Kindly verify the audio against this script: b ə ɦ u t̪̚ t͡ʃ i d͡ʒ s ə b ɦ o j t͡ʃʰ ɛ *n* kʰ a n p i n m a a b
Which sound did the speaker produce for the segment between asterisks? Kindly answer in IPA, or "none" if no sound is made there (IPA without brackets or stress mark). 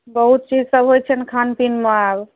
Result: n